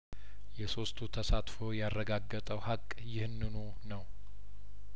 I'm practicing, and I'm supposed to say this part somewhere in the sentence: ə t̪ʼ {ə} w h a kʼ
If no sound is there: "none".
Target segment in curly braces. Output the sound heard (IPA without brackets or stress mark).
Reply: ə